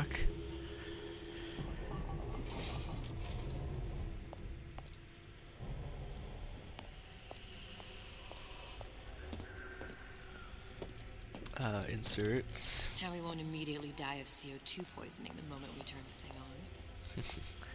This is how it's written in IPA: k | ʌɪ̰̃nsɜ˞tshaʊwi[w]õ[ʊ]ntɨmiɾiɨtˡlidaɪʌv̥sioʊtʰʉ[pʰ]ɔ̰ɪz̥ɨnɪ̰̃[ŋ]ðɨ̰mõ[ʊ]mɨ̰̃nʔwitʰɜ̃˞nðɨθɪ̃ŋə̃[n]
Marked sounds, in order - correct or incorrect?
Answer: correct, incorrect: ʊ̃, correct, correct, incorrect: ʊ̃, correct

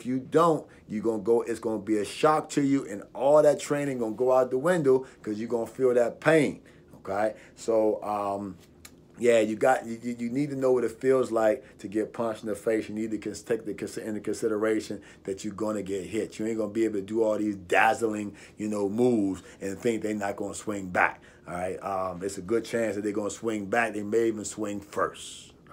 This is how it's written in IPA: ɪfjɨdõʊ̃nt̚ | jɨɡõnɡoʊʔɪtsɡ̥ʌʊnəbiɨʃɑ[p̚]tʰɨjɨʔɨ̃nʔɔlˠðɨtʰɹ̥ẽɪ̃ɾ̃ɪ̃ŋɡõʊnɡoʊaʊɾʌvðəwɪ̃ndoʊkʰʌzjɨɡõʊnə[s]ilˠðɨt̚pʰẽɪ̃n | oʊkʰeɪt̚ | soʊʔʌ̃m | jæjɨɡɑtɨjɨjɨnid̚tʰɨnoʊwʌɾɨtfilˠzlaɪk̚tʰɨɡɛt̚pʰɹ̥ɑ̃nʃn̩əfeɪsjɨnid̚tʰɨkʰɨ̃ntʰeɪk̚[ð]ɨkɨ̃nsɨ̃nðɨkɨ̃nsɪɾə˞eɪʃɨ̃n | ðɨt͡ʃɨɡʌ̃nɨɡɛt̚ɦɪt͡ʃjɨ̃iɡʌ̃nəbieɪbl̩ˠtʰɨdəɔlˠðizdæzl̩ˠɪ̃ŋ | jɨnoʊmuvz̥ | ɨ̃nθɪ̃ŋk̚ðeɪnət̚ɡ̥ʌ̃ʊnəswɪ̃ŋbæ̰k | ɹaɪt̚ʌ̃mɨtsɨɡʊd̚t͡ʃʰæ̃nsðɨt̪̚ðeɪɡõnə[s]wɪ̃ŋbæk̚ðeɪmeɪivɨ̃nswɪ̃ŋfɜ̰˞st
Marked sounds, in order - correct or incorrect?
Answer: incorrect: k̚, incorrect: f, correct, correct

